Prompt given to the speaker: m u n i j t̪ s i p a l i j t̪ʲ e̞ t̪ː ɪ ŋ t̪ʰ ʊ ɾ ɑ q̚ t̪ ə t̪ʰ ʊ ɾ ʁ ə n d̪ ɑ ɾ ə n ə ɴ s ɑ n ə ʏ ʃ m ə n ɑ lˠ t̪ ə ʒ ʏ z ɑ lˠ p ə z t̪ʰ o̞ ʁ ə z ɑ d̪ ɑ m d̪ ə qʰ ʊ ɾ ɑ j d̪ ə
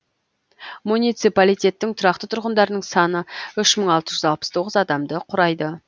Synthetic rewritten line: m u n i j t̪ s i p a l i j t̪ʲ e̞ t̪ː ɪ ŋ t̪ʰ ʊ ɾ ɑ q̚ t̪ ə t̪ʰ ʊ ɾ ʁ ə n d̪ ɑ ɾ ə n ə ɴ s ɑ n ə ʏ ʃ m ə ɴ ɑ lˠ t̪ ə ʒ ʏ z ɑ lˠ p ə s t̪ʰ o̞ ʁ ə z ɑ d̪ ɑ m d̪ ə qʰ ʊ ɾ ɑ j d̪ ə